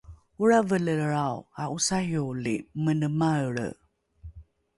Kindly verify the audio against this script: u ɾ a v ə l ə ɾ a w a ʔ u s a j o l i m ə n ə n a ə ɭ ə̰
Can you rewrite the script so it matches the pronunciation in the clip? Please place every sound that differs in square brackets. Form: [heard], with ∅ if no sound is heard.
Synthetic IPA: u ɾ a v ə l ə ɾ a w a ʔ u s a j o l i m ə n ə [m] a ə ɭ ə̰